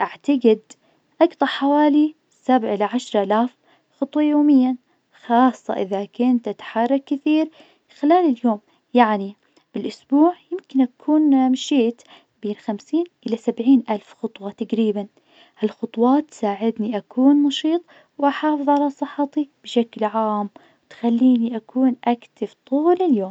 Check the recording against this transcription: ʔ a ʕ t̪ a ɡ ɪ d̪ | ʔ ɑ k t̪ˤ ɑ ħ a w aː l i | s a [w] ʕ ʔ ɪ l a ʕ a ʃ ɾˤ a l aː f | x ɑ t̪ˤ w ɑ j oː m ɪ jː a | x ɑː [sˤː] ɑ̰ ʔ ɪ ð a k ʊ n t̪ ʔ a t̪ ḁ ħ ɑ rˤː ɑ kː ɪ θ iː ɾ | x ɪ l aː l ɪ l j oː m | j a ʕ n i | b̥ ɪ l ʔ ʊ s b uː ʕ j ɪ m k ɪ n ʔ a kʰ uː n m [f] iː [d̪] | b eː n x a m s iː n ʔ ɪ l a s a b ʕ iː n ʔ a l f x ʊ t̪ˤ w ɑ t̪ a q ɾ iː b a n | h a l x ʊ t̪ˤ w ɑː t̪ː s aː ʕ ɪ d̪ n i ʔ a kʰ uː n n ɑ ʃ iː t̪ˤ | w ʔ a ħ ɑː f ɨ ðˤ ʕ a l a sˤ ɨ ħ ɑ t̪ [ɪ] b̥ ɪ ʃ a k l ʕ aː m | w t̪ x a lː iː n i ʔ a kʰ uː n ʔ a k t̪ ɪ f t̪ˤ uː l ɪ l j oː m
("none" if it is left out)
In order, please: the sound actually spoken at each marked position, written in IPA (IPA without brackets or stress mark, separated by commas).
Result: b, sˤː, ʃ, t̪, i